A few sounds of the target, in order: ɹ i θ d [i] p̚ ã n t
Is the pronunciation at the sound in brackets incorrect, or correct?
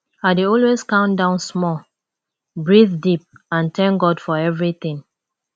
correct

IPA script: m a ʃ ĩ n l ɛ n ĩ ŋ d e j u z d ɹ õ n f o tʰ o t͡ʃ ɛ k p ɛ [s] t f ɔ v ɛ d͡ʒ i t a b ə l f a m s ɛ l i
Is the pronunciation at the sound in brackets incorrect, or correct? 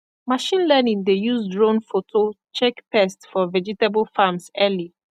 correct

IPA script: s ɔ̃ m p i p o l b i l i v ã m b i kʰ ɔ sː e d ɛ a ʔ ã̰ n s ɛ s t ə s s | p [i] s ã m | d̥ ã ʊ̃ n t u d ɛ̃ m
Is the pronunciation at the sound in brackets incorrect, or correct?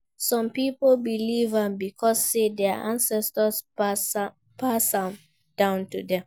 incorrect: a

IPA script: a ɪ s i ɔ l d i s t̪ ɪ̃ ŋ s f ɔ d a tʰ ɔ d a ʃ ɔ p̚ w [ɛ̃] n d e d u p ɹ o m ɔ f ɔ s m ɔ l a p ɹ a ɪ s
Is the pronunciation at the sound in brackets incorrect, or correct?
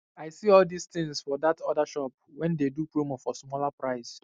correct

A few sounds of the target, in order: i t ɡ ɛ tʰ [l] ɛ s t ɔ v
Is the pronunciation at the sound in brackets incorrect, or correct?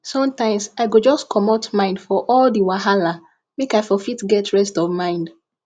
incorrect: ɹ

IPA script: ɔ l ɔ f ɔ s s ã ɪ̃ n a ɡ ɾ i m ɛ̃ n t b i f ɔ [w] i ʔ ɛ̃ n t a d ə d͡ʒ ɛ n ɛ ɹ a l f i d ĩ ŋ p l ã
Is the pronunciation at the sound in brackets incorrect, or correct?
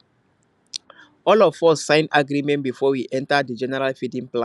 correct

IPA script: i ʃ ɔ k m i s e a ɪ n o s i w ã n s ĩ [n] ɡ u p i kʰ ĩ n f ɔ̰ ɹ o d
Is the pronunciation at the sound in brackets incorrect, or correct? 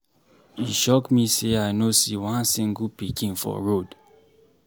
incorrect: ŋ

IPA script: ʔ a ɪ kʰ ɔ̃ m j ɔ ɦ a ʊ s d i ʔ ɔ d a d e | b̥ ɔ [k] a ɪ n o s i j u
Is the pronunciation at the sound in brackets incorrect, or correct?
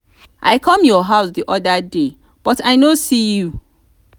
incorrect: t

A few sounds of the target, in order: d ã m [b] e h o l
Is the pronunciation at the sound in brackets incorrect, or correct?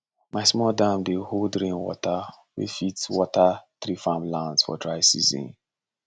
correct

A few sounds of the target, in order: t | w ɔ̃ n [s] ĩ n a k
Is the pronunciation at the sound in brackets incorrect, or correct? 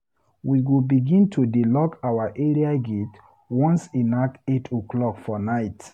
correct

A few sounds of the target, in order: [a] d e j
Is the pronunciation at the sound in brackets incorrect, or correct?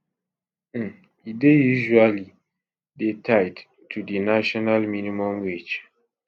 incorrect: i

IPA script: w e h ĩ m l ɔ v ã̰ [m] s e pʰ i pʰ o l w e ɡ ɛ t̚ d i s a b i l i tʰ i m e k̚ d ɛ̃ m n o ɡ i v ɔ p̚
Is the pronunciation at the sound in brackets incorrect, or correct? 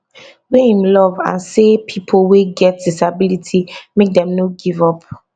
incorrect: n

